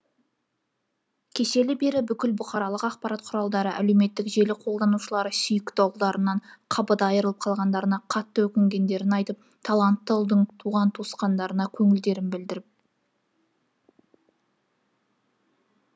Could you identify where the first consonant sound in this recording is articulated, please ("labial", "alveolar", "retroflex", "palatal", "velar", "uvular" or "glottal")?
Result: velar